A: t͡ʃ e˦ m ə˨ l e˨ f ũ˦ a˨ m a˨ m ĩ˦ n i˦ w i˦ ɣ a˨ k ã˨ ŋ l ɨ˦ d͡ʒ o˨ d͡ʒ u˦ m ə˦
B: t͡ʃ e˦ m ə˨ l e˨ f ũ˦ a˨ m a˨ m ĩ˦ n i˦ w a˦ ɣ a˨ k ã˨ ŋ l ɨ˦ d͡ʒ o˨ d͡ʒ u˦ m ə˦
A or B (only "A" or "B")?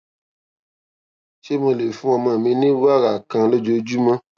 B